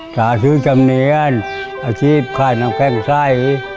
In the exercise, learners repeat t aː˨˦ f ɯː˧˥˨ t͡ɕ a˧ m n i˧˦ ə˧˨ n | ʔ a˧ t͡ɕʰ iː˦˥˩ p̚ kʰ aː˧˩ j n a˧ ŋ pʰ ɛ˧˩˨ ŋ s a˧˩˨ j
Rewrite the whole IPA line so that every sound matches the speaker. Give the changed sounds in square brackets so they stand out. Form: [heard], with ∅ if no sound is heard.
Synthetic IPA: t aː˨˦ [s] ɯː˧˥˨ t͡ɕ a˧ m n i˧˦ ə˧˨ n | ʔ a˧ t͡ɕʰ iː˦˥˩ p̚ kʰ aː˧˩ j n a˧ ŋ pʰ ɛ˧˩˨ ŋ s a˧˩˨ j